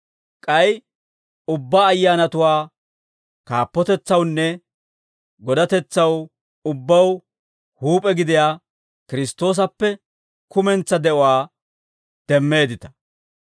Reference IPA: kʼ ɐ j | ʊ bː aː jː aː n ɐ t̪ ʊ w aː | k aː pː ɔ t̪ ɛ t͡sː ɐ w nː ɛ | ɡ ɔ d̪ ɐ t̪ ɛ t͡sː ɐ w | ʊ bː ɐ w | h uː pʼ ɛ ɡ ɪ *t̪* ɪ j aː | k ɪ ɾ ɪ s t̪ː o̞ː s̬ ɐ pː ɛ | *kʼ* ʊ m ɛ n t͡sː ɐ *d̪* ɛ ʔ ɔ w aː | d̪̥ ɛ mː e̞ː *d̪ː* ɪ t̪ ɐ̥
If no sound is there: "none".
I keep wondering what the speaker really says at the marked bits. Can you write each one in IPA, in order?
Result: d̪, k, d̪, d̪

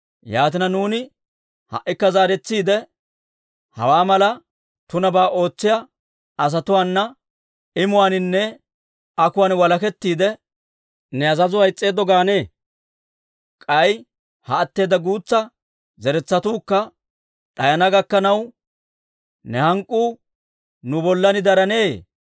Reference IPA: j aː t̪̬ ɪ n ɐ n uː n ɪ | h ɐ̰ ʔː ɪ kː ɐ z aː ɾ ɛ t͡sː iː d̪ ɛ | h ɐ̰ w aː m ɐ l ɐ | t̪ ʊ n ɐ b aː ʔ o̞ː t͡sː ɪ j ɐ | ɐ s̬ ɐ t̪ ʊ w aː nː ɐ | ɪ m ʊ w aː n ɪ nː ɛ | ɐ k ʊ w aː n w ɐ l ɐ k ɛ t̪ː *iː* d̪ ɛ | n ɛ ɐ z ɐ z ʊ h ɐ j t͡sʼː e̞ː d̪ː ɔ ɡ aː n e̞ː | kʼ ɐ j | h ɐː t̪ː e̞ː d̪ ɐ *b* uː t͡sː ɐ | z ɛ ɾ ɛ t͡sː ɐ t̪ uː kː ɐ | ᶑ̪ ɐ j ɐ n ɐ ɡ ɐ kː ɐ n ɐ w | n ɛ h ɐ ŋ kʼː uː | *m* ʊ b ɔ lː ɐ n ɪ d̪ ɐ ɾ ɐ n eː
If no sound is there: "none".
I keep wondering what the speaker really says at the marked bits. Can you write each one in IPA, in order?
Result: iː, ɡ, n

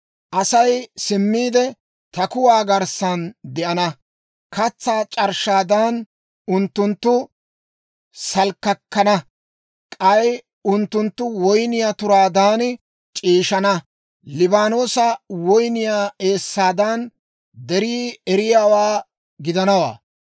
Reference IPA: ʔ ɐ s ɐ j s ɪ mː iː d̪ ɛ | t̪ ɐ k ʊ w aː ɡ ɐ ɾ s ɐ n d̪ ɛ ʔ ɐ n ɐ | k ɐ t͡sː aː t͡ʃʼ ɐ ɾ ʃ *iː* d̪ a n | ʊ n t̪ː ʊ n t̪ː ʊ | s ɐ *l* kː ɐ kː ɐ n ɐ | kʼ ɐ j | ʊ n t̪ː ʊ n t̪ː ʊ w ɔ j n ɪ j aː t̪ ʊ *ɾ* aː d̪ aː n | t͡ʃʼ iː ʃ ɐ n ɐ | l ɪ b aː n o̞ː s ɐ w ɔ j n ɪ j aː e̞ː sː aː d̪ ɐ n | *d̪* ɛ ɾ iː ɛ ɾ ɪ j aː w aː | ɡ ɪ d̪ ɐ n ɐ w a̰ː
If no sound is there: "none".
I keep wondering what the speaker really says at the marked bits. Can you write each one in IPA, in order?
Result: aː, l, ɾ, d̪

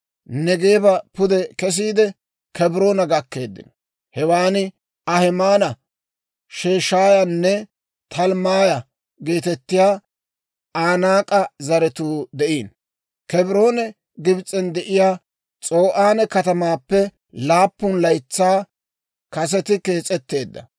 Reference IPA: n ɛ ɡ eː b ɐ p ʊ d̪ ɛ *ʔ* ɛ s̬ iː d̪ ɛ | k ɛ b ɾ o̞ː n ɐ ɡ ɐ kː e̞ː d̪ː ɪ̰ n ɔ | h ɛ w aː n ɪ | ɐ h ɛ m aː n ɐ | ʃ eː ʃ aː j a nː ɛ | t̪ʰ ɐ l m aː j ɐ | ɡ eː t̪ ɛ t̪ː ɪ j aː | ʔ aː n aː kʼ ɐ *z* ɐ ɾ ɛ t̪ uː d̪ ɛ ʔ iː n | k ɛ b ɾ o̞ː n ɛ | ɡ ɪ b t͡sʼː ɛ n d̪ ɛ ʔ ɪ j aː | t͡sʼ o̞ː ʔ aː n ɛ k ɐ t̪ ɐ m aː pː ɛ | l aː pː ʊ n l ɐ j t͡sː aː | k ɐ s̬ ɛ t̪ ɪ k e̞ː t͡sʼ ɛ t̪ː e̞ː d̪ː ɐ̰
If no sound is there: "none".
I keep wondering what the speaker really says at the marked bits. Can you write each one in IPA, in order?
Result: k, z

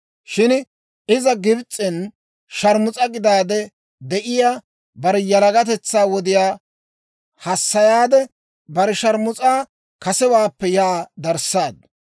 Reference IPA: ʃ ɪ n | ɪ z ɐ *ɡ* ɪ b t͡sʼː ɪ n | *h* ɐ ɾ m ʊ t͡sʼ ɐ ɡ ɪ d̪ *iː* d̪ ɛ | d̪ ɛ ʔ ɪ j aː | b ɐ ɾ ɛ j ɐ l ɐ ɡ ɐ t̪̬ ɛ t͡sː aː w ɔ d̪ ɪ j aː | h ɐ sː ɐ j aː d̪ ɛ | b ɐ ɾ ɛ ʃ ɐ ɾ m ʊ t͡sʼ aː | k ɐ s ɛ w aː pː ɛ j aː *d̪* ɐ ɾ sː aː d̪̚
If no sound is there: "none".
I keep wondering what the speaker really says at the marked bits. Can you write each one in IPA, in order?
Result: ɡ, ʃ, aː, d̪

